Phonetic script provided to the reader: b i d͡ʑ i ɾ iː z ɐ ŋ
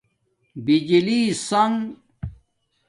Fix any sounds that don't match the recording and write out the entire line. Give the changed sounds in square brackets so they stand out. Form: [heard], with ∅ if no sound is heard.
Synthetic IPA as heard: b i d͡ʑ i [l] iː [s] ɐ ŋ